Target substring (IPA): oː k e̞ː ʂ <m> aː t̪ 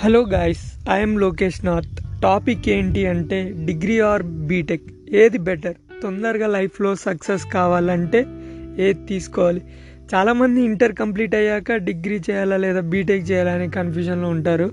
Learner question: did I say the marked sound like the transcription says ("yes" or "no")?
no